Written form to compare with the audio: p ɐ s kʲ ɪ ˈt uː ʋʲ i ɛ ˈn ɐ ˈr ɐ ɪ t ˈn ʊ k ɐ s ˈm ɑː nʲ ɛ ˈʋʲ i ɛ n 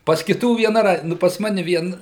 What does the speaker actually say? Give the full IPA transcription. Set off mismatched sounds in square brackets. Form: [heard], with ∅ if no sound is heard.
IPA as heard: p ɐ s kʲ ɪ ˈt uː ʋʲ i ɛ ˈn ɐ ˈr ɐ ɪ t ˈn ʊ [p] ɐ s ˈm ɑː nʲ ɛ ˈʋʲ i ɛ n